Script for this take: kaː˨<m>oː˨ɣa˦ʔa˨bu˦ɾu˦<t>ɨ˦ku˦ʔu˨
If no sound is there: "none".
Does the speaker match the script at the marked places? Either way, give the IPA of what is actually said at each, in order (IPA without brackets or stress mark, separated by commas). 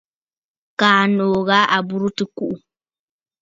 n, t